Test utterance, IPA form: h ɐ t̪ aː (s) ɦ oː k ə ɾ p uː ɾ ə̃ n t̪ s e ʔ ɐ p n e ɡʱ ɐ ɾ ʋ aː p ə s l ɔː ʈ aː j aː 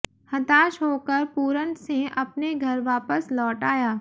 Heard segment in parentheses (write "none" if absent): ʃ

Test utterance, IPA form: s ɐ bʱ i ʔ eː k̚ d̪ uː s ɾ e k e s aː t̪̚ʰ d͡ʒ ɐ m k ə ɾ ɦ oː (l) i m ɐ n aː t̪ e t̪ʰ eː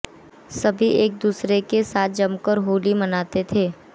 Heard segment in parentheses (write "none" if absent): l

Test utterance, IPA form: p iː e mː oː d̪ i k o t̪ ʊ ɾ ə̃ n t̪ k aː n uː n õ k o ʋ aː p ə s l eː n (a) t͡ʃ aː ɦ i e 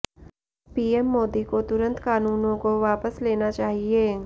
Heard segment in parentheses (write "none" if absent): a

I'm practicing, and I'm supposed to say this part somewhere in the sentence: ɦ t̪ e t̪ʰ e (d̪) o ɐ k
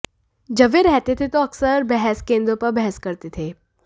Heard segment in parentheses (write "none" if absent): t̪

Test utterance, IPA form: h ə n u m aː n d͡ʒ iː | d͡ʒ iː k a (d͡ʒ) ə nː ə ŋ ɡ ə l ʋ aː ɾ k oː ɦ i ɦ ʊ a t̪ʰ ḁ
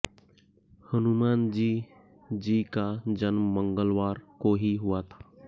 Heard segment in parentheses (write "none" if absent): d͡ʒ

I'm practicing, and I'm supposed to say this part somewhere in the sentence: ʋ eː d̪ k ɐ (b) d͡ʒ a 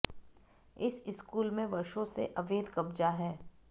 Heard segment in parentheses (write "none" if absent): b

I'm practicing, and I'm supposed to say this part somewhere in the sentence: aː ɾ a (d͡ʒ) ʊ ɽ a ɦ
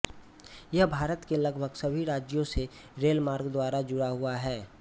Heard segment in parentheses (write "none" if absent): d͡ʒ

